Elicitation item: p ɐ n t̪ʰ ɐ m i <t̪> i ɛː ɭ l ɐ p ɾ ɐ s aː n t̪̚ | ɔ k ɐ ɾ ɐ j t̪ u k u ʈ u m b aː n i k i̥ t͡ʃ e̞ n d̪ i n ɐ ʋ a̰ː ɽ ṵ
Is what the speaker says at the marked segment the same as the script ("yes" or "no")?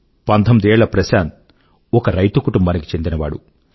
no